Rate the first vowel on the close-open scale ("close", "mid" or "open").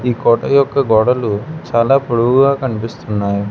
close